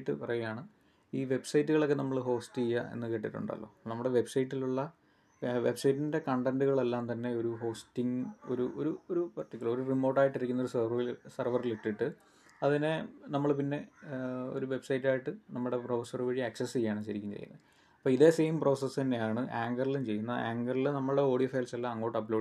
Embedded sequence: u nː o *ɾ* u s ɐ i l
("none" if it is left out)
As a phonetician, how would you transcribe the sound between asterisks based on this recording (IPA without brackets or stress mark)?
ɾ